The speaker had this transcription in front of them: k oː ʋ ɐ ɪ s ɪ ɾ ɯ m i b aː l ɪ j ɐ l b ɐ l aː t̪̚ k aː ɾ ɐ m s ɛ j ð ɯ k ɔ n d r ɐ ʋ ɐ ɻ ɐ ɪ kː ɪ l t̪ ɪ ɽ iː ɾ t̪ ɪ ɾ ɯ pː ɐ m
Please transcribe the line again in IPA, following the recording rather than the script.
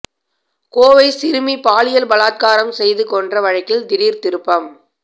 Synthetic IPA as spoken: k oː ʋ ɐ ɪ s ɪ ɾ ɯ m i p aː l ɪ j ɐ l b ɐ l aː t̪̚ k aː ɾ ɐ m s ɛ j ð ɯ k ɔ n d r ɐ ʋ ɐ ɻ ɐ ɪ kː ɪ l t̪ ɪ ɽ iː ɾ t̪ ɪ ɾ ɯ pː ɐ m

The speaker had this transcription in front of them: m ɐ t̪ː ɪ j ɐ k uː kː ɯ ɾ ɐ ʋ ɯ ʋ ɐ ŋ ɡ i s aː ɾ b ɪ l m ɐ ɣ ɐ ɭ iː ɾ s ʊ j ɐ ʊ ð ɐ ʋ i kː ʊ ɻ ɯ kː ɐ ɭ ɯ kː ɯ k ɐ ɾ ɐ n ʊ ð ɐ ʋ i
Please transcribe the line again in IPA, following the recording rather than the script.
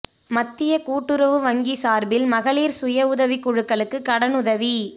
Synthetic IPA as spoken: m ɐ t̪ː ɪ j ɐ k uː ʈː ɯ ɾ ɐ ʋ ɯ ʋ ɐ ŋ ɡ i s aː ɾ b ɪ l m ɐ ɣ ɐ ɭ iː ɾ s ʊ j ɐ ʊ ð ɐ ʋ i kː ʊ ɻ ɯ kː ɐ ɭ ɯ kː ɯ k ɐ ɽ ɐ n ʊ ð ɐ ʋ i

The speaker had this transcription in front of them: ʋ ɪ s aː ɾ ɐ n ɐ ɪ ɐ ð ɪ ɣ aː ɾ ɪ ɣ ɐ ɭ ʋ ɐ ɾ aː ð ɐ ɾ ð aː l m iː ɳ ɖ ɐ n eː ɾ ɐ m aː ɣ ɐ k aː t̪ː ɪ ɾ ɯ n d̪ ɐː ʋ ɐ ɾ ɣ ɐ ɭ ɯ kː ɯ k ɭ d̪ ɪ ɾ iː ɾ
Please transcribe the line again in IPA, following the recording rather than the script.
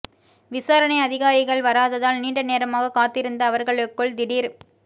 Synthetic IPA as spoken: ʋ ɪ s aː ɾ ɐ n ɐ ɪ ɐ ð ɪ ɣ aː ɾ ɪ ɣ ɐ ɭ ʋ ɐ ɾ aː ð ɐ ð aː l n iː ɳ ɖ ɐ n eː ɾ ɐ m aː ɣ ɐ k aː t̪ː ɪ ɾ ɯ n d̪ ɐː ʋ ɐ ɾ ɣ ɐ ɭ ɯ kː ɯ ɭ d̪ ɪ ɽ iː ɾ

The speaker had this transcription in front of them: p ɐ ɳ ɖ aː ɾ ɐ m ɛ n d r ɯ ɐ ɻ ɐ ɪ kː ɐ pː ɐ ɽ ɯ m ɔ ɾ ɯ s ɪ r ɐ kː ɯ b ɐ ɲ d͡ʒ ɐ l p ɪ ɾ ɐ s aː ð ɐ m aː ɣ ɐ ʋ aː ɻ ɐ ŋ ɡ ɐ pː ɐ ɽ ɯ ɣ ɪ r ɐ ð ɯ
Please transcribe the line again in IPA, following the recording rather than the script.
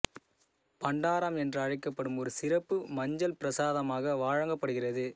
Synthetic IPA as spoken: p ɐ ɳ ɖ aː ɾ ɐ m ɛ n d r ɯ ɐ ɻ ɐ ɪ kː ɐ pː ɐ ɽ ɯ m ɔ ɾ ɯ s ɪ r ɐ pː ɯ m ɐ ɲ d͡ʒ ɐ l p ɪ ɾ ɐ s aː ð ɐ m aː ɣ ɐ ʋ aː ɻ ɐ ŋ ɡ ɐ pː ɐ ɽ ɯ ɣ ɪ r ɐ ð ɯ

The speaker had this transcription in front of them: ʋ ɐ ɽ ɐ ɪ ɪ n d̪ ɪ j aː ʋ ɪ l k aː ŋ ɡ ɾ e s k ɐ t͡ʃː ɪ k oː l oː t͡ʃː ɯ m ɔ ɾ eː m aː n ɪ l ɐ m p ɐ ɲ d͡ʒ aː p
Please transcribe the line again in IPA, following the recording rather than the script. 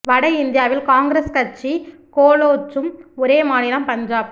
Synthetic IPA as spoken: ʋ ɐ ɽ ɐ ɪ ɪ n d̪ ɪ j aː ʋ ɪ l k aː ŋ ɡ ɾ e s k ɐ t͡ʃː i k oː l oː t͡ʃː ɯ m ɔ ɾ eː m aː n ɪ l ɐ m p ɐ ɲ d͡ʒ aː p

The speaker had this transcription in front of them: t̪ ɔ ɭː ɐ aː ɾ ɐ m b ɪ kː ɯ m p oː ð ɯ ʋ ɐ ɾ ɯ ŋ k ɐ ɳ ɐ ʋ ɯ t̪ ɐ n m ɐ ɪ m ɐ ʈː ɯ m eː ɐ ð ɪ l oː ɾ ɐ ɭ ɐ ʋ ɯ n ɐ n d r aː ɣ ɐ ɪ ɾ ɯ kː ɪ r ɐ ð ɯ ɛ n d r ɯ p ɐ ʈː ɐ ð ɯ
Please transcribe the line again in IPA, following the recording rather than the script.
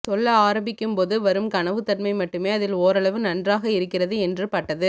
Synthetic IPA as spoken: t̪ ɔ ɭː ɐ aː ɾ ɐ m b ɪ kː ɯ m p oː ð ɯ ʋ ɐ ɾ ɯ m k ɐ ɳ ɐ ʋ ɯ t̪ ɐ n m ɐ ɪ m ɐ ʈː ɯ m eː ɐ ð ɪ l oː ɾ ɐ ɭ ɐ ʋ ɯ n ɐ n d r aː ɣ ɐ ɪ ɾ ɯ kː ɪ r ɐ ð ɯ ɛ n d r ɯ p ɐ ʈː ɐ ð ɯ

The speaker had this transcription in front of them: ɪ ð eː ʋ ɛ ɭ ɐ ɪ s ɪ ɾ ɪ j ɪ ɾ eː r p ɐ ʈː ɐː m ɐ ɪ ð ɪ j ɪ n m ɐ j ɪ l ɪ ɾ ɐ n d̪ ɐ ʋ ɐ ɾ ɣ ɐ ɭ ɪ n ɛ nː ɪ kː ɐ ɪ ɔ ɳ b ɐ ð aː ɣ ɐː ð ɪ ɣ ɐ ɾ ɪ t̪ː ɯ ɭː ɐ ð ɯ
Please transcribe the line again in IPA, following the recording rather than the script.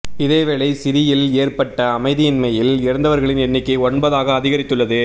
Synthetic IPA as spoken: ɪ ð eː ʋ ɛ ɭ ɐ ɪ s ɪ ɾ ɪ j ɪ l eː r p ɐ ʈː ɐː m ɐ ɪ ð ɪ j ɪ n m ɐ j ɪ l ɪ ɾ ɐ n d̪ ɐ ʋ ɐ ɾ ɣ ɐ ɭ ɪ n ɛ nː ɪ kː ɐ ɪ ɔ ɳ b ɐ ð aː ɣ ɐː ð ɪ ɣ ɐ ɾ ɪ t̪ː ɯ ɭː ɐ ð ɯ

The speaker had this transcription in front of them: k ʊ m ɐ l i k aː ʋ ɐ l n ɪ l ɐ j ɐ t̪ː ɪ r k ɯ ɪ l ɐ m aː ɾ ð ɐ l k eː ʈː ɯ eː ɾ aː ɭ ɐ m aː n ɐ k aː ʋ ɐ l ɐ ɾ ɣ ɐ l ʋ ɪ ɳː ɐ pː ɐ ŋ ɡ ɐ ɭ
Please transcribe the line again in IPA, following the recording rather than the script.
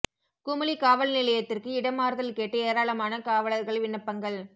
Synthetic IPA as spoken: k ʊ m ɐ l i k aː ʋ ɐ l n ɪ l ɐ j ɐ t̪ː ɪ r k ɯ ɪ ɽ ɐ m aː ɾ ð ɐ l k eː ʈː ɯ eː ɾ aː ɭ ɐ m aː n ɐ k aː ʋ ɐ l ɐ ɾ ɣ ɐ ɭ ʋ ɪ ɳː ɐ pː ɐ ŋ ɡ ɐ ɭ

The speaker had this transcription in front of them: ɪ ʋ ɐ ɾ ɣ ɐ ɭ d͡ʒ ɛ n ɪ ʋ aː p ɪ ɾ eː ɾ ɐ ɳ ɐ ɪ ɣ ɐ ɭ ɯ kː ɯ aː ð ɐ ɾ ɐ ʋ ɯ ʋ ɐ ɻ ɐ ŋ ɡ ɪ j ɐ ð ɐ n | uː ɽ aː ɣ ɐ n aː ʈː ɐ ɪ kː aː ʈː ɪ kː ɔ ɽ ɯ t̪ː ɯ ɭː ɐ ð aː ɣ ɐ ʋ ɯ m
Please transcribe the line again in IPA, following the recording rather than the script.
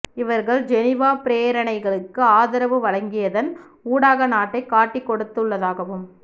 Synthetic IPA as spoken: ɪ ʋ ɐ ɾ ɣ ɐ ɭ d͡ʒ ɛ n ɪ ʋ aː p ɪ ɾ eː ɾ ɐ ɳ ɐ ɪ ɣ ɐ ɭ ɯ kː ɯ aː ð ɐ ɾ ɐ ʋ ɯ ʋ ɐ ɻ ɐ ŋ ɡ ɪ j ɐ ð ɐ n | uː ɽ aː ɣ ɐ n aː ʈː ɐ ɪ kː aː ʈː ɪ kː ɔ ɽ ɯ t̪ː ɯ ɭː ɐ ð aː ɣ ɐ ʋ ɯ m

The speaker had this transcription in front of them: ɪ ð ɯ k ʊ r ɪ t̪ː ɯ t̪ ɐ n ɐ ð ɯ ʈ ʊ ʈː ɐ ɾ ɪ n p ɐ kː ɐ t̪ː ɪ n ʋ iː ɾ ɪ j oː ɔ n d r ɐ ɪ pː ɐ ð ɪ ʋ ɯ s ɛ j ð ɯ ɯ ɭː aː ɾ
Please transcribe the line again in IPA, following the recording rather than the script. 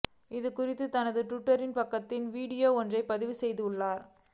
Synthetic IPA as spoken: ɪ ð ɯ k ʊ r ɪ t̪ː ɯ t̪ ɐ n ɐ ð ɯ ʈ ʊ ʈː ɐ ɾ ɪ n p ɐ kː ɐ t̪ː ɪ n ʋ iː ɽ ɪ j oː ɔ n d r ɐ ɪ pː ɐ ð ɪ ʋ ɯ s ɛ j ð ɯ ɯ ɭː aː ɾ

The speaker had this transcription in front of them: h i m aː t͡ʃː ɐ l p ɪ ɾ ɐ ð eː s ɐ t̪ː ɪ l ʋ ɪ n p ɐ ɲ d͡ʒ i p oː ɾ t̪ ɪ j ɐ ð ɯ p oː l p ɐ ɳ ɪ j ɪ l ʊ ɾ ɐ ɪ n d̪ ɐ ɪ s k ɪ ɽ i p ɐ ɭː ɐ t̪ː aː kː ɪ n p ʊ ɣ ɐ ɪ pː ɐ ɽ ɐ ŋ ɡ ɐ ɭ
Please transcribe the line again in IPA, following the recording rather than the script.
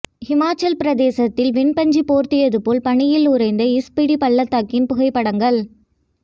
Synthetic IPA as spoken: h ɪ m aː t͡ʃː ɐ l p ɪ ɾ ɐ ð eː s ɐ t̪ː ɪ l ʋ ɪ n p ɐ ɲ d͡ʒ i p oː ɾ t̪ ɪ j ɐ ð ɯ p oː l p ɐ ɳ ɪ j ɪ l ʊ ɾ ɐ ɪ n d̪ ɐ ɪ s p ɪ ɽ i p ɐ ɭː ɐ t̪ː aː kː ɪ n p ʊ ɣ ɐ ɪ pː ɐ ɽ ɐ ŋ ɡ ɐ ɭ

